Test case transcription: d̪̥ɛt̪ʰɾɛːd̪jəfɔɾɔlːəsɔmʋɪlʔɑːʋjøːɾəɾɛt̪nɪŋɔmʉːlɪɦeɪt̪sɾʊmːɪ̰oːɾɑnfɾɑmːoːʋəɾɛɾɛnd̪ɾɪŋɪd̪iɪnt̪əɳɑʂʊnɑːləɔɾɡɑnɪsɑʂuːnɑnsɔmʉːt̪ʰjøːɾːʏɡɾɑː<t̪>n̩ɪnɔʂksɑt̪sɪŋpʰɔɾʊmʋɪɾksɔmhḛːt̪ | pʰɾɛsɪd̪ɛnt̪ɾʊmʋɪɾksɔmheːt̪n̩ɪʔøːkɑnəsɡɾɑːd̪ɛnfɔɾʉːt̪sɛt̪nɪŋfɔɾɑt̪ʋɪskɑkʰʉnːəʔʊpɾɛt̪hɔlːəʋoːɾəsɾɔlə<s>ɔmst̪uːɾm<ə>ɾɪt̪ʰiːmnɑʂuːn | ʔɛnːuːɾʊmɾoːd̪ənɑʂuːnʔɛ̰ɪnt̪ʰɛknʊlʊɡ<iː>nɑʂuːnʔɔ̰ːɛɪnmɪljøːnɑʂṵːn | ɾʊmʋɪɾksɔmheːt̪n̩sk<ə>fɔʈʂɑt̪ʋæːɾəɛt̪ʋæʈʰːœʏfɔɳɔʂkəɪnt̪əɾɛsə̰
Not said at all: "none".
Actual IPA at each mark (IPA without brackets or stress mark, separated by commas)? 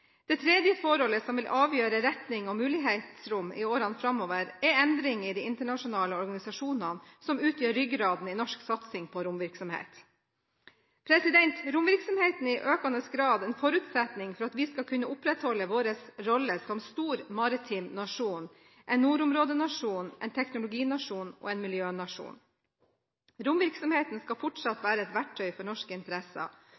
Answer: d̪, s, ɑ, iː, ɑ